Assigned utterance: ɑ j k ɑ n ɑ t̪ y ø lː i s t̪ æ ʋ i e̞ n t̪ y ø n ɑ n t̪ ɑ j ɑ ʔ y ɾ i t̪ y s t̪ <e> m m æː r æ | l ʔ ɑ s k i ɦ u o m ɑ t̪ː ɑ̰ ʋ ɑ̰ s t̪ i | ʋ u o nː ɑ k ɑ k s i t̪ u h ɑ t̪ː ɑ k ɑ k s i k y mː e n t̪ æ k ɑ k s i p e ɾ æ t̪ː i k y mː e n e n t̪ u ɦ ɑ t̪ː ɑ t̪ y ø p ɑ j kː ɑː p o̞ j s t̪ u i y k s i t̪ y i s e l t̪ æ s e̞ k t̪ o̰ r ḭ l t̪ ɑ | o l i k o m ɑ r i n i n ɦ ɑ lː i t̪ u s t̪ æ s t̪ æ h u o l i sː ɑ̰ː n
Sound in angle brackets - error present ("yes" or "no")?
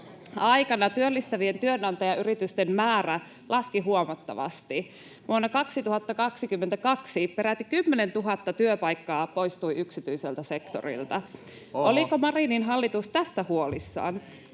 no